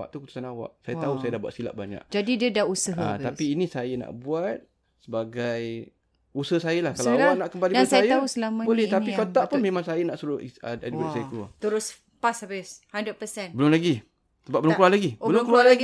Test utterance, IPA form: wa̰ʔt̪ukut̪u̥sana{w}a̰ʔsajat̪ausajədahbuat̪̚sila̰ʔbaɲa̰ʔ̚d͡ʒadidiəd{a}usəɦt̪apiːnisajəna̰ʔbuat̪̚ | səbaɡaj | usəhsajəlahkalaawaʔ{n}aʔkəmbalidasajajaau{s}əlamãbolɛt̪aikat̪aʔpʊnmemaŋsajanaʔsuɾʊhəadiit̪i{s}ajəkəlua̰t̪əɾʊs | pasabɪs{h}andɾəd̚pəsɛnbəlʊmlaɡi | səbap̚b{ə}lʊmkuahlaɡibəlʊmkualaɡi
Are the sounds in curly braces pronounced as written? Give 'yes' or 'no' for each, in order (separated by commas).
yes, yes, yes, yes, yes, yes, yes